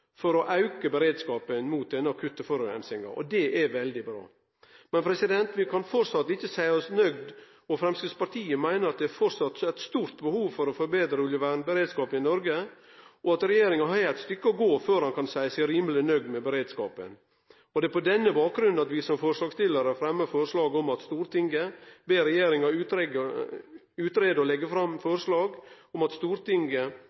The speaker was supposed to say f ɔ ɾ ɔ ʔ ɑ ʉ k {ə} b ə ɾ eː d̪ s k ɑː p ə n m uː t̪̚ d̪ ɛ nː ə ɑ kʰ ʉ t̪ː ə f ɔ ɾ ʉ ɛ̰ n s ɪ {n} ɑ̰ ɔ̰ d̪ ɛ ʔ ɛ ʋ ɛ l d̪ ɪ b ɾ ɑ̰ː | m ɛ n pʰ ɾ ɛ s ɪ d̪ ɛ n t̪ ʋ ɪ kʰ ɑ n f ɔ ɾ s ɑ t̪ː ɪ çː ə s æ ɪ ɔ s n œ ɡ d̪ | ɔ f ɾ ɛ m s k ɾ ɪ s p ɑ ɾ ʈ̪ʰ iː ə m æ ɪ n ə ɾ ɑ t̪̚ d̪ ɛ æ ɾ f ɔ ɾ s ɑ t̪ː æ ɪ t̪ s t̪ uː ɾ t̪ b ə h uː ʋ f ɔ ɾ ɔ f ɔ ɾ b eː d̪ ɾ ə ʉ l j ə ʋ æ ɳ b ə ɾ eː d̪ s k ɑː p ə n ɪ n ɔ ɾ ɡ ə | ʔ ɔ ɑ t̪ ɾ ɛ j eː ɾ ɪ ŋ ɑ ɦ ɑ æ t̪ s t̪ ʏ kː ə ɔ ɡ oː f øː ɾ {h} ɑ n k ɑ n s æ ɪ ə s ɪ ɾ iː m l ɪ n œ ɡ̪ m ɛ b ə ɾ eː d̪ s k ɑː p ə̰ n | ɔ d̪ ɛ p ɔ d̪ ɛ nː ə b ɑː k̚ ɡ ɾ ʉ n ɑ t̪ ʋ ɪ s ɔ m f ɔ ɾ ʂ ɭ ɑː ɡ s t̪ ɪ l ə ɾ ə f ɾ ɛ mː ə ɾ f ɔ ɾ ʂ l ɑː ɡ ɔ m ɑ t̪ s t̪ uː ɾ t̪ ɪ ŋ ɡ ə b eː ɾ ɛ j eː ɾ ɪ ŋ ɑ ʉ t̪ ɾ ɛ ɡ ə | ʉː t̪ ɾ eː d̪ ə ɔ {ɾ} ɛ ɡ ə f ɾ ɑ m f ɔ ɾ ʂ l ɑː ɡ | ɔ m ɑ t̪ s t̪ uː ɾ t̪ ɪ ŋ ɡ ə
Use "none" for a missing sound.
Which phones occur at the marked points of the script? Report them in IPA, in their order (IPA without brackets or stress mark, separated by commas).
ə, ŋ, h, l